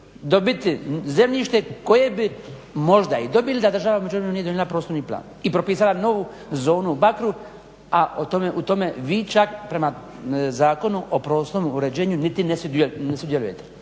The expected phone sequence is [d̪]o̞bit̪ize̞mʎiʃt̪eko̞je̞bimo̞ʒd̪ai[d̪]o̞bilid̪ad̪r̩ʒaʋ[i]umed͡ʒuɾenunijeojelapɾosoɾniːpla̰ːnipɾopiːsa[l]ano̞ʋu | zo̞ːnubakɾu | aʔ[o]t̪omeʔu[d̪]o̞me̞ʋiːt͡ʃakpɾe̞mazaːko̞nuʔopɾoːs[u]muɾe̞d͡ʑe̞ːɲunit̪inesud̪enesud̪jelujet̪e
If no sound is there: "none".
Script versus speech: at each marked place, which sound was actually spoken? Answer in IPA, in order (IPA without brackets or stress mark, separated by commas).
d̪, d̪, a, l, o, t̪, o